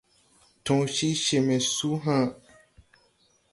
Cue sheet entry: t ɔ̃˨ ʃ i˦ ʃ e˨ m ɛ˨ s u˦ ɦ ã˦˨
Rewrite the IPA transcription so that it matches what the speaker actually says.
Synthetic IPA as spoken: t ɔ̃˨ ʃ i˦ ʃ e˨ m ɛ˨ s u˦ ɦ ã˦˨